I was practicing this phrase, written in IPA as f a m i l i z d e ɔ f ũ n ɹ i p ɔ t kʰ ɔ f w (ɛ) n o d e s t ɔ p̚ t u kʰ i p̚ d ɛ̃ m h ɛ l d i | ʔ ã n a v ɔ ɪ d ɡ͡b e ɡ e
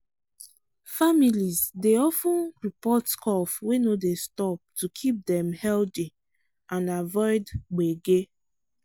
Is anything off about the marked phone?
yes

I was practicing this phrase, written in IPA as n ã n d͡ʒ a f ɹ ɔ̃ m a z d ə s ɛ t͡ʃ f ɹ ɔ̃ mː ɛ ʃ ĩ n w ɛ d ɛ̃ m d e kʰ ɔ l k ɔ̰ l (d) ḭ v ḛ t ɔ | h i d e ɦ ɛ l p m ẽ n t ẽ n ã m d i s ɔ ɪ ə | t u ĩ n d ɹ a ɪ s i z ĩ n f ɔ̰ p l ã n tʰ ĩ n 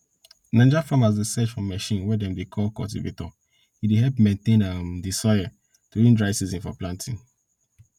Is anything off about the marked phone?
yes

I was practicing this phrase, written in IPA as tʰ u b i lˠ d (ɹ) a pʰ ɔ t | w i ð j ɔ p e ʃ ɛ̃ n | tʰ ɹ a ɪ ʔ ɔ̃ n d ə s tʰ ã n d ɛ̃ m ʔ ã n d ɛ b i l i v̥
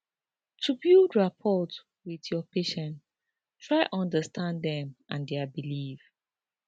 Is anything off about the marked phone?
no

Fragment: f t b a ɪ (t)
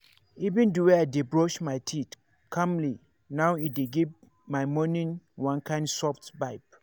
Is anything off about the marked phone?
yes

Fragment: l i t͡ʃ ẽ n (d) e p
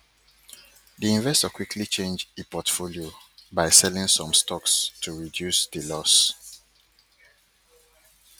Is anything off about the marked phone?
yes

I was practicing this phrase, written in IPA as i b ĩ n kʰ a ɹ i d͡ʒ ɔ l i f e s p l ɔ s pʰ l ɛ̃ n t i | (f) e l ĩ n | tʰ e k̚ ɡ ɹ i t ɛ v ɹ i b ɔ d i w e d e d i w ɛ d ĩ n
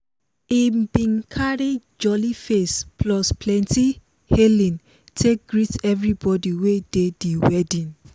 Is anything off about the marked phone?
yes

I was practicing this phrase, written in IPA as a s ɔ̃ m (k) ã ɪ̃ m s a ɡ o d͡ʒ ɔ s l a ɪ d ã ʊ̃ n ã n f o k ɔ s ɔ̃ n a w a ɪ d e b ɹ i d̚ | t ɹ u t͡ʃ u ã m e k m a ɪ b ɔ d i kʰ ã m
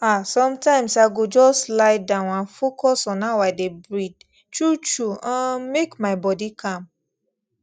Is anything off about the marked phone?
yes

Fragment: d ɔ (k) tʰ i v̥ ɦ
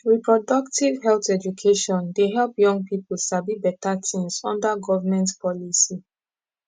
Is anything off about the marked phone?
no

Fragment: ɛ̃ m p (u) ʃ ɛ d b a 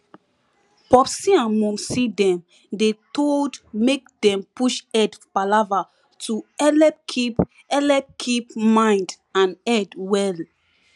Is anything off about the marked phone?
no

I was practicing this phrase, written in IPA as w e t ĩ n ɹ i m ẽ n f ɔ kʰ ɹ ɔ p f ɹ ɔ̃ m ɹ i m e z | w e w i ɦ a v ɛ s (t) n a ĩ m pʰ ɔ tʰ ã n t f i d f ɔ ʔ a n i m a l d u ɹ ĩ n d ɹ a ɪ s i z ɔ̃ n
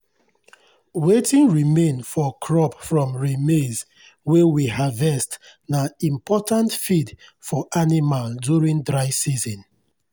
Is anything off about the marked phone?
no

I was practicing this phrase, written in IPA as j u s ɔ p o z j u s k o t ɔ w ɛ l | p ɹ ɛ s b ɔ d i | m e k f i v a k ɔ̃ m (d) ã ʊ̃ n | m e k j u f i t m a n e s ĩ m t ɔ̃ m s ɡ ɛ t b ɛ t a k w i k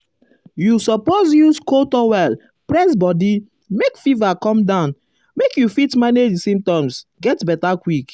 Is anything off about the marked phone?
no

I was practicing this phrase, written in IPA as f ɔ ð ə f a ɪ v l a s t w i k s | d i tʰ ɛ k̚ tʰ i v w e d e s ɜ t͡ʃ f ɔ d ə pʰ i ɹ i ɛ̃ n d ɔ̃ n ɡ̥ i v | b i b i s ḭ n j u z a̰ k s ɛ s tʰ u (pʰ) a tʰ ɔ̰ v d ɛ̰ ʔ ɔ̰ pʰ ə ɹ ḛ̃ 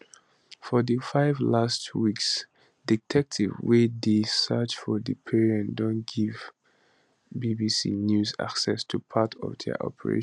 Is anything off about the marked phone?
no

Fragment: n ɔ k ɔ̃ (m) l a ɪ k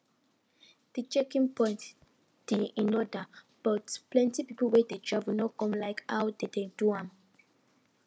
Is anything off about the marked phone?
no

